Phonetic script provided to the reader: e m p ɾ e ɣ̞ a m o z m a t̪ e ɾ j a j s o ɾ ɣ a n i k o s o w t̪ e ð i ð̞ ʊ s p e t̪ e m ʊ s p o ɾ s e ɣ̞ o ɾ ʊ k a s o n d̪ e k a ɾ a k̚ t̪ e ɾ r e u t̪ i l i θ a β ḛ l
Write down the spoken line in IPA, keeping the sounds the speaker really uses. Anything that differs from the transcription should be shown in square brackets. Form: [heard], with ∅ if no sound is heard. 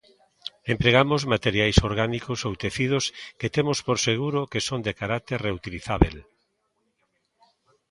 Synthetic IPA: e m p ɾ e ɣ̞ a m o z m a t̪ e ɾ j a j s o ɾ ɣ a n i k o s o w t̪ e [θ] i ð̞ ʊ s [k] e t̪ e m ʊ s p o ɾ s e ɣ̞ [u] ɾ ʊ k [e] s o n d̪ e k a ɾ a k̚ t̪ e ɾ r e u t̪ i l i θ a β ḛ l

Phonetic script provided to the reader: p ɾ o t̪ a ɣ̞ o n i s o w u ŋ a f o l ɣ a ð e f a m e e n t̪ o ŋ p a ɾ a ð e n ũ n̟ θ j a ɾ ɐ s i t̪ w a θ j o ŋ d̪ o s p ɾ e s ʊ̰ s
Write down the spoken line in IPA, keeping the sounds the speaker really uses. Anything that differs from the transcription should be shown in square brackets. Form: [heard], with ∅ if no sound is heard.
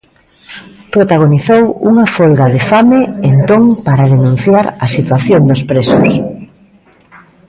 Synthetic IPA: p ɾ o t̪ a ɣ̞ o n i [θ] o w u ŋ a f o l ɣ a ð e f a m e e n t̪ o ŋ p a ɾ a ð e n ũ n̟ θ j a ɾ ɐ s i t̪ w a θ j o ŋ d̪ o s p ɾ e s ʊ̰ s

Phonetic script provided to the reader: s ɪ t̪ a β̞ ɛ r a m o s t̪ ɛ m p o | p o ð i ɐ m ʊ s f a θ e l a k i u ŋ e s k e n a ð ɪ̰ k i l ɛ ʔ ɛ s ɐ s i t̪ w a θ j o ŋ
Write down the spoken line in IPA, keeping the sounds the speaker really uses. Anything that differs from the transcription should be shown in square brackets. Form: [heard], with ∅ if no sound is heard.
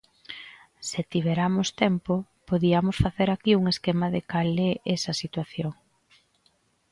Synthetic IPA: s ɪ t̪ [i] β̞ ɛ [ɾ] a m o s t̪ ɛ m p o | p o ð i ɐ m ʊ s f a θ e [ɾ] a k i u ŋ e s k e [m] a ð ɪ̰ k [a] l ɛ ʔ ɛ s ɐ s i t̪ w a θ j o ŋ

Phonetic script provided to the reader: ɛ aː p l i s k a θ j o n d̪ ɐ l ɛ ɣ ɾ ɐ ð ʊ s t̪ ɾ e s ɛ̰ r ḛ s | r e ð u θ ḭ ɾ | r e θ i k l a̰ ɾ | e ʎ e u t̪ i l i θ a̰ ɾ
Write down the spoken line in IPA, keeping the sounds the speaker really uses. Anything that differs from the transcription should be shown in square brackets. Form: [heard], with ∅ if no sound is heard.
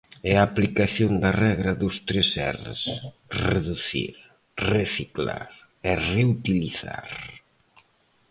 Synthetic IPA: ɛ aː p l i [∅] k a θ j o n d̪ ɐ [r] ɛ ɣ ɾ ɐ ð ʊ s t̪ ɾ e s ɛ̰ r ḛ s | r e ð u θ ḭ ɾ | r e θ i k l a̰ ɾ | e [r] e u t̪ i l i θ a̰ ɾ

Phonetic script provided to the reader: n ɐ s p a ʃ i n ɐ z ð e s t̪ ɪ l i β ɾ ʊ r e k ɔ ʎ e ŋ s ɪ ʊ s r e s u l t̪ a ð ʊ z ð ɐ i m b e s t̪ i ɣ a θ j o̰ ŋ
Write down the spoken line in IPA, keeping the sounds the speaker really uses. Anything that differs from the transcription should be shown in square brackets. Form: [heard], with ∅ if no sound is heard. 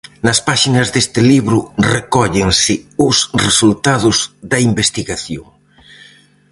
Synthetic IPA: n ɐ s p a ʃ i n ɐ z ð e s t̪ ɪ l i β ɾ ʊ r e k ɔ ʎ e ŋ s ɪ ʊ s r e s u l t̪ a ð ʊ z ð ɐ i m b e s t̪ i ɣ a θ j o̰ ŋ

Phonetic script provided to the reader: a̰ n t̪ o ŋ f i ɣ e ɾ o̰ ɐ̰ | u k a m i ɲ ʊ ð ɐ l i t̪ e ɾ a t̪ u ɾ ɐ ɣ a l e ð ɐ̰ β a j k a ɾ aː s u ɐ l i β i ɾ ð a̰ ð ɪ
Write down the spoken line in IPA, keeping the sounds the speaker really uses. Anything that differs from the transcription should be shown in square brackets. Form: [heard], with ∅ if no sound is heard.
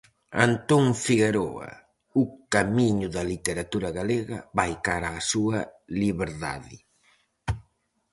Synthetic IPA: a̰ n t̪ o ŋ f i ɣ e ɾ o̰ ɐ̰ | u k a m i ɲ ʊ ð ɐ l i t̪ e ɾ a t̪ u ɾ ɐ ɣ a l e [ɣ] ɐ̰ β a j k a ɾ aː s u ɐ l i β [e] ɾ ð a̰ ð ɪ

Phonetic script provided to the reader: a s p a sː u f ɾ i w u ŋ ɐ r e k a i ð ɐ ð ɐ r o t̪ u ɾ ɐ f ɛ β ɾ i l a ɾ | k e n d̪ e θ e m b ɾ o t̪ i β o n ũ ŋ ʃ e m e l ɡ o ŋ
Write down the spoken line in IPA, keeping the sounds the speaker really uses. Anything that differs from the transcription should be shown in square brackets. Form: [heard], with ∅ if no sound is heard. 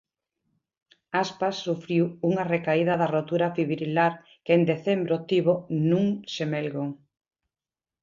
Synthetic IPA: a s p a sː u f ɾ i w u ŋ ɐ r e k a i ð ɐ ð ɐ r o t̪ u ɾ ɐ f [i] β ɾ i l a ɾ | k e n d̪ e θ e m b ɾ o t̪ i β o n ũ ŋ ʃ e m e l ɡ o ŋ

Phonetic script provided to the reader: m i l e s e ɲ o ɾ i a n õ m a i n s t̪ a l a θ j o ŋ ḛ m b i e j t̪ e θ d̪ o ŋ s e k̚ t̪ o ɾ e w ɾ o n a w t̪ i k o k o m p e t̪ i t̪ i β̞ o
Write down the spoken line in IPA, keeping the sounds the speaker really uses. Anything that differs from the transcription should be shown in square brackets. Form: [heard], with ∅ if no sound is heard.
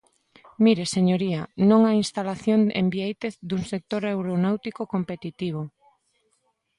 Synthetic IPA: m i [ɾ] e s e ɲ o ɾ i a n õ [ŋ] a i n s t̪ a l a θ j o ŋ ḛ m b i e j t̪ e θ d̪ [u] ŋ s e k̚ t̪ o ɾ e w ɾ o n a w t̪ i k o k o m p e t̪ i t̪ i β̞ o

